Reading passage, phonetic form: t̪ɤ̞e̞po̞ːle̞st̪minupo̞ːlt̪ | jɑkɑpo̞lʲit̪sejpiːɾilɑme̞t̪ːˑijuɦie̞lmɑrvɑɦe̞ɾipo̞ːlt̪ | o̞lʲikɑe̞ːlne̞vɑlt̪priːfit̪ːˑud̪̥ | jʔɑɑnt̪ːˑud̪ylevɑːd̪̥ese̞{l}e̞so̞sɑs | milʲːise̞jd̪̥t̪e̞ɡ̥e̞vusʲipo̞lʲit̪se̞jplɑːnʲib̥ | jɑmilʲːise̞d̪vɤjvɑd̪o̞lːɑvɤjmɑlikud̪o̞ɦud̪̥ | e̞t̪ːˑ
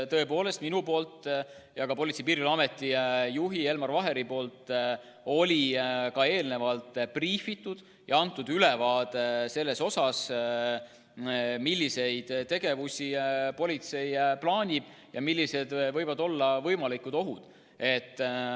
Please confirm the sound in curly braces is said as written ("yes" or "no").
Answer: no